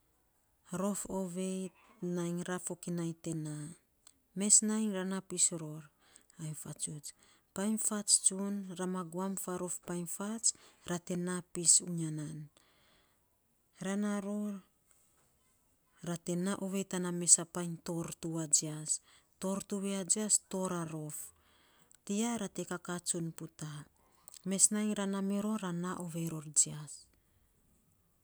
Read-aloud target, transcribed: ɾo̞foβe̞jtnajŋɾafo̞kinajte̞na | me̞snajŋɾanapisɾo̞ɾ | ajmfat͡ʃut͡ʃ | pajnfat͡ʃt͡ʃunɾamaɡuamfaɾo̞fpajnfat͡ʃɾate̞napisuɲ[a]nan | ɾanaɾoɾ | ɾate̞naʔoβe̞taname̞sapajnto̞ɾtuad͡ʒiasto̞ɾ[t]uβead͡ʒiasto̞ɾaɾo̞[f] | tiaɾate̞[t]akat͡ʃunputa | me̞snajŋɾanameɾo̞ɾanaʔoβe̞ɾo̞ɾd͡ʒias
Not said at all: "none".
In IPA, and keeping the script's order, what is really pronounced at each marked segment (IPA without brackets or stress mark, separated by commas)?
a, t, f, k